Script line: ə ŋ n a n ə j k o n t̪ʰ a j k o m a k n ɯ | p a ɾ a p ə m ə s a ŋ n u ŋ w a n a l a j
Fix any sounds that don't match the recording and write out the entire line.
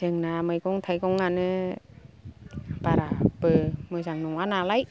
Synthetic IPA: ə ŋ n a m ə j k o ŋ t̪ʰ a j k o ŋ a n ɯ | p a ɾ a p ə m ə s a ŋ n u ŋ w a n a l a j